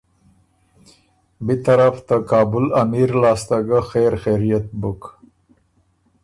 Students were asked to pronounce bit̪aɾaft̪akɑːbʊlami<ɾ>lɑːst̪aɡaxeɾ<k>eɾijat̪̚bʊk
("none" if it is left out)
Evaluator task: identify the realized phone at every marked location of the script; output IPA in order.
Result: ɾ, x

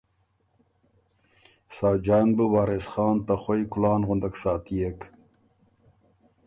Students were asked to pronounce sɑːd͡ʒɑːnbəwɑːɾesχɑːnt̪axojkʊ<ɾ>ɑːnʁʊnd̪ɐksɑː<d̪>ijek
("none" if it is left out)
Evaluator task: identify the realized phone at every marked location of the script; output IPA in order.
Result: l, t̪

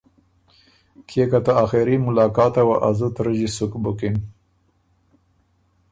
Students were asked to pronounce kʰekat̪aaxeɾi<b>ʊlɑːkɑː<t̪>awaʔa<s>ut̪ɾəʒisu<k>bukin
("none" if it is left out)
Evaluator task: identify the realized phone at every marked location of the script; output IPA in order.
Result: m, t̪, z, k

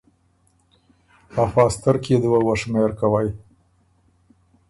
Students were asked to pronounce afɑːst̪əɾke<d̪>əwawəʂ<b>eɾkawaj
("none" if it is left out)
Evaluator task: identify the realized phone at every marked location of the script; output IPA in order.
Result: d̪, m

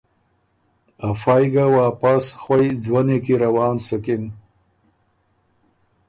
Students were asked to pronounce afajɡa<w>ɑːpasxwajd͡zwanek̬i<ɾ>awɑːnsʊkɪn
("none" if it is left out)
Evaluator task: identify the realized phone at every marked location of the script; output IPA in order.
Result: w, ɾ

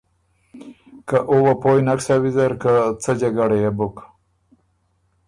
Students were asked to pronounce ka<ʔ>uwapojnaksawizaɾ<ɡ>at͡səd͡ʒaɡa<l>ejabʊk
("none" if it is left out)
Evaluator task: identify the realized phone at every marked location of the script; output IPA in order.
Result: ʔ, k, ɽ

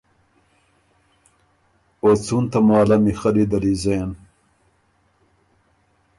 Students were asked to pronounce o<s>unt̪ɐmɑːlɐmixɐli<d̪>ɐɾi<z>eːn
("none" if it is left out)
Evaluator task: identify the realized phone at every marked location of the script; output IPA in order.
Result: t͡s, d̪, z

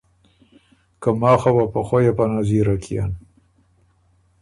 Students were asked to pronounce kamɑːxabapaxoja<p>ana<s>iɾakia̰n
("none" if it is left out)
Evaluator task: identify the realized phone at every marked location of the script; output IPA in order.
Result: p, z

